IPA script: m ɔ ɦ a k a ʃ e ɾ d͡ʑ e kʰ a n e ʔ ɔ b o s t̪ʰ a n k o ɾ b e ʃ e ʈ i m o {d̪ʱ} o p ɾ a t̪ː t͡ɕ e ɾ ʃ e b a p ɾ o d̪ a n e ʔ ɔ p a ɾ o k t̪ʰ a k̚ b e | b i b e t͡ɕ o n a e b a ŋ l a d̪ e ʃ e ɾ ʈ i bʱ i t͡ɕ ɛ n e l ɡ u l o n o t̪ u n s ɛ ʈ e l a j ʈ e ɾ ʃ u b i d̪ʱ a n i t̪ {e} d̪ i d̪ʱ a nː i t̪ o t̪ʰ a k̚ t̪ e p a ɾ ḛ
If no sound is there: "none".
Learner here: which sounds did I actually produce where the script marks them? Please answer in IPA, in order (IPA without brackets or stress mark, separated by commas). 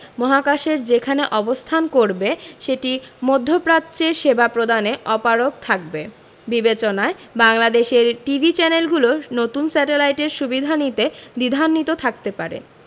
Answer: d̪ʱː, e